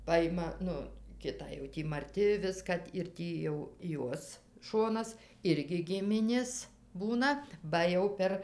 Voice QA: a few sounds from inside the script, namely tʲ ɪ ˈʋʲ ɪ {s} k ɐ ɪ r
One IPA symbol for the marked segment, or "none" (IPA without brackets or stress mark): s